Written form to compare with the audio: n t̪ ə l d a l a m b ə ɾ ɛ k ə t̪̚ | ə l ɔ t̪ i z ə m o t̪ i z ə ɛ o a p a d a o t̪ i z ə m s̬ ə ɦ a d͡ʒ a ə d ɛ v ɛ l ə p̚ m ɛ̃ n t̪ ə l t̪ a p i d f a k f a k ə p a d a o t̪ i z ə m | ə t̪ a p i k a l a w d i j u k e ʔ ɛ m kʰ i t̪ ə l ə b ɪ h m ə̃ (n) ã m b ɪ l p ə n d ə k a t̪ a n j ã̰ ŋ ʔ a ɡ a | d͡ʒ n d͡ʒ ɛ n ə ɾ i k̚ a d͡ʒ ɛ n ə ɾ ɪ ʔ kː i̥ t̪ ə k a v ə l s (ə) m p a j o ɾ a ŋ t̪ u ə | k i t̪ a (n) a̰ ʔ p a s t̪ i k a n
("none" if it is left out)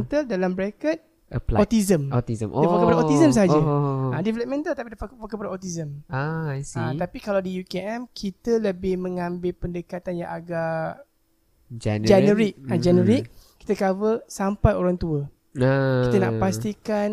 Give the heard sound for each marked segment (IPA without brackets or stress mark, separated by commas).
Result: ŋ, a, n